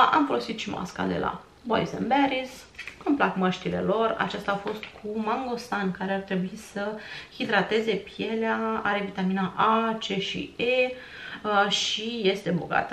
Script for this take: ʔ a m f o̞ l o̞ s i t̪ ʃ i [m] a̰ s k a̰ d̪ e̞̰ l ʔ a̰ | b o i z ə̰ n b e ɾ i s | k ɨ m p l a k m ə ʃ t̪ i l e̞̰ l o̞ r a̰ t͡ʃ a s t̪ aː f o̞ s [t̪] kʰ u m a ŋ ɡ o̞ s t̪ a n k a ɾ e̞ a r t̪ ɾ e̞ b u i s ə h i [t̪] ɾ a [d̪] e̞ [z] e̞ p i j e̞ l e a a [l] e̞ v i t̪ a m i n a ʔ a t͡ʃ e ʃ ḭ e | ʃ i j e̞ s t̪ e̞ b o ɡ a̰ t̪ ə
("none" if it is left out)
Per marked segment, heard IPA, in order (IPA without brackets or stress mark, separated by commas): m, t̪, d̪, t̪, z, ɾ